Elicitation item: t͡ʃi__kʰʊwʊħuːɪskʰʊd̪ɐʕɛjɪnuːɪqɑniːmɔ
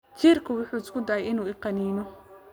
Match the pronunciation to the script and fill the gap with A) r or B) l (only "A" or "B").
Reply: A